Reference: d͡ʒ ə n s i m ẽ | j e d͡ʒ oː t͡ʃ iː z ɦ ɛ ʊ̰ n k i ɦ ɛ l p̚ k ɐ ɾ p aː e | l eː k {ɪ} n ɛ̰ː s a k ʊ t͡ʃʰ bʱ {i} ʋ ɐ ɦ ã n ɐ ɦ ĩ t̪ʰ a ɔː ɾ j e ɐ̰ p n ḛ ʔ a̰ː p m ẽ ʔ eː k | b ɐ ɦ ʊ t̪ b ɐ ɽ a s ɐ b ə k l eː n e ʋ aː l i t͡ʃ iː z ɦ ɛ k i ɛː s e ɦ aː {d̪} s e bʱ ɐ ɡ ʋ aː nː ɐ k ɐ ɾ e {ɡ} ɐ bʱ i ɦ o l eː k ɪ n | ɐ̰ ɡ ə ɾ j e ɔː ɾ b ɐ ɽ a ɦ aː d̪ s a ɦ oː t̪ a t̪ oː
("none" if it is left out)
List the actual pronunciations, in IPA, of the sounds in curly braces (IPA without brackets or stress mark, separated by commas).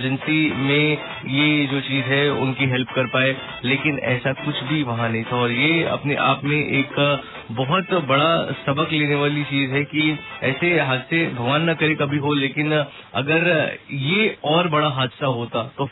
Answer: ɪ, i, d̪, k